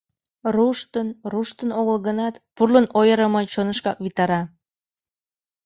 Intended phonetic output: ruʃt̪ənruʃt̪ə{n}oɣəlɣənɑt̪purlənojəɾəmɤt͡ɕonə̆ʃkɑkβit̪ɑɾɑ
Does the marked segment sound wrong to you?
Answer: no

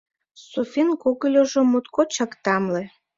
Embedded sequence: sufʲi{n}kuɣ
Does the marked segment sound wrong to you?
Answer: no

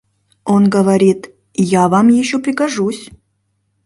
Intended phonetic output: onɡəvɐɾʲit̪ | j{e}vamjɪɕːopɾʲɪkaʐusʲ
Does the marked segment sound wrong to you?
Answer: yes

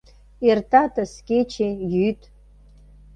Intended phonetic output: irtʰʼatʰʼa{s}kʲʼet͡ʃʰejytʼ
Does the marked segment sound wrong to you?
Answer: no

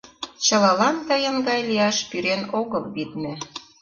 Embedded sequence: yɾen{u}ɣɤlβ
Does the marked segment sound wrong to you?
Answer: yes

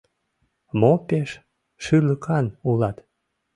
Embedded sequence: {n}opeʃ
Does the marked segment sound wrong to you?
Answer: yes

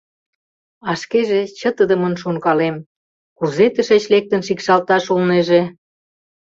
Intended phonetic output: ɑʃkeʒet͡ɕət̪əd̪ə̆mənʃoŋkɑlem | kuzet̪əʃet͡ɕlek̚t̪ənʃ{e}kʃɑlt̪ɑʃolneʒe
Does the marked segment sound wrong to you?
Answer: yes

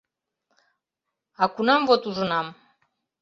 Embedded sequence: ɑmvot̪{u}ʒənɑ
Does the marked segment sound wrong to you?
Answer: no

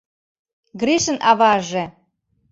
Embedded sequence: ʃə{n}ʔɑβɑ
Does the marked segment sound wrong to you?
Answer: no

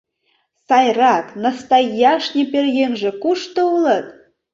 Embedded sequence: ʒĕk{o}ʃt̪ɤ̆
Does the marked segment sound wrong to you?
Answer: yes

